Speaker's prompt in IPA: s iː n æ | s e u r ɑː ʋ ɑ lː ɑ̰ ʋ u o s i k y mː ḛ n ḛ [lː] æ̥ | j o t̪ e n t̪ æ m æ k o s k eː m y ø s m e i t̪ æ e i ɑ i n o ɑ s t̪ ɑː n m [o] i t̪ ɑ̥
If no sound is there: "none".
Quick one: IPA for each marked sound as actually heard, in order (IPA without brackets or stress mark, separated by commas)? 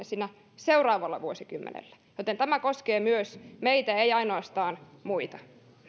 lː, u